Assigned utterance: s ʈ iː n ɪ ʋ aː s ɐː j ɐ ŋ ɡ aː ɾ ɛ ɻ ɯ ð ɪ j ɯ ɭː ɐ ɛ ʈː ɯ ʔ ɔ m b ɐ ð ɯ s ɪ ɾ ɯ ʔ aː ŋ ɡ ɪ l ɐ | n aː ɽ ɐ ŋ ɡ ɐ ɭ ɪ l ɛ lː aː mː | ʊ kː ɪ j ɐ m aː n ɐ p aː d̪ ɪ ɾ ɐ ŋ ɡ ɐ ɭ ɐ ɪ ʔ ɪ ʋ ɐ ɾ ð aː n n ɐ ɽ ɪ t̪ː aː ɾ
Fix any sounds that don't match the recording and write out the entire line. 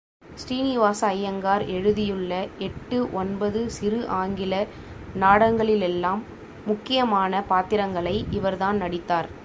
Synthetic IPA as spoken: s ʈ iː n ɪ ʋ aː s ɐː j ɐ ŋ ɡ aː ɾ ɛ ɻ ɯ ð ɪ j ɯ ɭː ɐ ɛ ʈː ɯ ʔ ɔ n b ɐ ð ɯ s ɪ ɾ ɯ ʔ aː ŋ ɡ ɪ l ɐ | n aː ɽ ɐ ŋ ɡ ɐ ɭ ɪ l ɛ lː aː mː | ʊ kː ɪ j ɐ m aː n ɐ p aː t̪ ɪ ɾ ɐ ŋ ɡ ɐ ɭ ɐ ɪ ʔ ɪ ʋ ɐ ɾ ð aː n n ɐ ɽ ɪ t̪ː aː ɾ